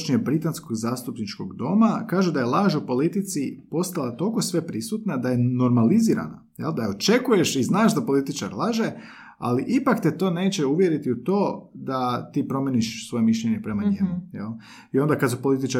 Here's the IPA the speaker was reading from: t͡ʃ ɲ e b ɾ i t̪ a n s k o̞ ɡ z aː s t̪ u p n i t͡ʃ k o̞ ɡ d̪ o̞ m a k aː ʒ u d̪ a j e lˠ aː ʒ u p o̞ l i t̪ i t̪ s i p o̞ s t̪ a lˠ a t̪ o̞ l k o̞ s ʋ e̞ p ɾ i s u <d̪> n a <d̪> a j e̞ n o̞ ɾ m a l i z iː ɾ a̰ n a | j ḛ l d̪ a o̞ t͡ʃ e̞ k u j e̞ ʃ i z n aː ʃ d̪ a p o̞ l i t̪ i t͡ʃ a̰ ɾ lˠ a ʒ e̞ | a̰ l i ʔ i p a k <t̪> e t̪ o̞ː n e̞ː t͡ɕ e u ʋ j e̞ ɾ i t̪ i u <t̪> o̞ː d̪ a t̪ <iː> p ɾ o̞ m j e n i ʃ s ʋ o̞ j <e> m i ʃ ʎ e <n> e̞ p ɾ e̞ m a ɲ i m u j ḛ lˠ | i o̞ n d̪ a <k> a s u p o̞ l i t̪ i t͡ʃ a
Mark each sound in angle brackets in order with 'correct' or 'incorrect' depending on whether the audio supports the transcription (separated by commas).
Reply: incorrect, correct, correct, correct, correct, correct, incorrect, correct